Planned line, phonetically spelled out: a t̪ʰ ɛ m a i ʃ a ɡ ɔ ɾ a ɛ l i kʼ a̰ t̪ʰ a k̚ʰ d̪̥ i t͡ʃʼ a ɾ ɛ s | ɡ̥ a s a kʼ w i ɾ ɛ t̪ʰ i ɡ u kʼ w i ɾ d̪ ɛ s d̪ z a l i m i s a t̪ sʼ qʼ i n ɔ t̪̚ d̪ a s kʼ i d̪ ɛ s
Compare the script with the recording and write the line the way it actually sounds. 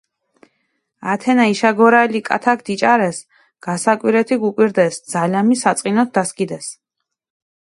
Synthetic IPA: a t̪ʰ ɛ n a i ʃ a ɡ ɔ ɾ a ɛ l i kʼ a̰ t̪ʰ a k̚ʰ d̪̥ i t͡ʃʼ a ɾ ɛ s | ɡ̥ a s a kʼ w i ɾ ɛ t̪ʰ i ɡ u kʼ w i ɾ d̪ ɛ s d̪ z a l a m i s a t̪ sʼ qʼ i n ɔ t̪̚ d̪ a s kʼ i d̪ ɛ s